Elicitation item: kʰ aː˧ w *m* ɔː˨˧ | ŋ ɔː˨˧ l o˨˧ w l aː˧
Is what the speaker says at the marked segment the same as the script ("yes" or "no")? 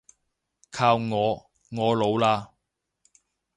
no